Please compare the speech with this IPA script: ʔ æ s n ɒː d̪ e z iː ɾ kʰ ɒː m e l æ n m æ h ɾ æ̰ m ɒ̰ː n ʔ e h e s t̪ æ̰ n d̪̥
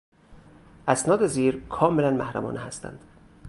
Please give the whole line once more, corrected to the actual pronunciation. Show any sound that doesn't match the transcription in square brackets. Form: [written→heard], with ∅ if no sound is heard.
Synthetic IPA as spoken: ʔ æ s n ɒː d̪ e z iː ɾ kʰ ɒː m e l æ n m æ h ɾ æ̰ m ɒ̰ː n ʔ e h [e→æ] s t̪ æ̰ n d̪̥